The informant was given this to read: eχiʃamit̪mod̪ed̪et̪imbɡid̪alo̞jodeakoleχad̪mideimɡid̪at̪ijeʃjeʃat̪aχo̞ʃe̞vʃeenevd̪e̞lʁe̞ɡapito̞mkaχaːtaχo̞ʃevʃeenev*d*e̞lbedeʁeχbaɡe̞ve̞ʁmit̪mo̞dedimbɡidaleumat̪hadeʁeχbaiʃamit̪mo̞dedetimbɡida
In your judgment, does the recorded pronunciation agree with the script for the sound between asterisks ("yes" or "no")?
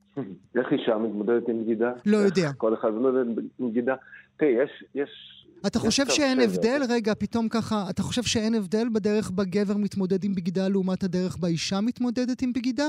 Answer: yes